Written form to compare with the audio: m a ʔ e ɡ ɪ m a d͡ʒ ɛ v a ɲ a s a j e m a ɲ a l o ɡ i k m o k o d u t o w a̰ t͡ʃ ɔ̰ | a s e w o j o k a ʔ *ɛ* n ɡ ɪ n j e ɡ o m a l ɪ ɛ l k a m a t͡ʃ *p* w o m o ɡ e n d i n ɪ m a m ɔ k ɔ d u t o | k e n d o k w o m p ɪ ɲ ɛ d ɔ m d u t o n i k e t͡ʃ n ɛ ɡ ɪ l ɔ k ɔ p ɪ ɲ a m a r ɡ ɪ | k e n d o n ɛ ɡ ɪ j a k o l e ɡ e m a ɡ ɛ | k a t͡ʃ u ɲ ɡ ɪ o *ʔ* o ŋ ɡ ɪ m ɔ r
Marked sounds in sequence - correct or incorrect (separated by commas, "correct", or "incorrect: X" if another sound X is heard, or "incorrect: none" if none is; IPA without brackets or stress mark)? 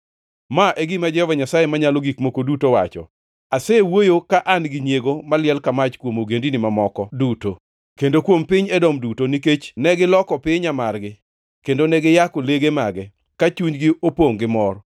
incorrect: a, incorrect: k, incorrect: p